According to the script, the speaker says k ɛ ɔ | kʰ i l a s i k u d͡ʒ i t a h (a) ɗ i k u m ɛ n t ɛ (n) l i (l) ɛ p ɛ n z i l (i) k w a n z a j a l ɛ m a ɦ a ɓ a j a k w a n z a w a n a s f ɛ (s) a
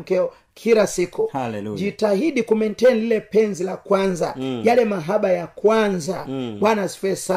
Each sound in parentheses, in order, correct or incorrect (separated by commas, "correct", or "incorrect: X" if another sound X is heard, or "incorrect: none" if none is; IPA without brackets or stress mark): incorrect: i, correct, correct, incorrect: a, correct